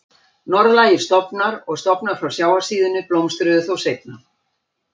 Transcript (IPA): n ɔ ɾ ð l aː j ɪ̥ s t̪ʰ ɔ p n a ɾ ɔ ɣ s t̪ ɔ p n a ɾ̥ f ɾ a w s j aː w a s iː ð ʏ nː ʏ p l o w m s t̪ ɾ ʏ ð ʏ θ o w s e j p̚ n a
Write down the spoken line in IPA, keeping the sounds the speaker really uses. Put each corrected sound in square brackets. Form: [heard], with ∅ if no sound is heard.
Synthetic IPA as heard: n ɔ ɾ ð l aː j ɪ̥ s [t̪] ɔ p n a ɾ ɔ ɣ s t̪ ɔ p n a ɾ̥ f ɾ a w s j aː w a s iː ð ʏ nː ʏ p l o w m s t̪ ɾ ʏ ð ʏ θ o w s e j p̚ n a